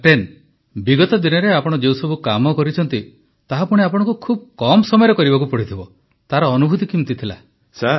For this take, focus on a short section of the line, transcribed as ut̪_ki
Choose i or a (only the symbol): i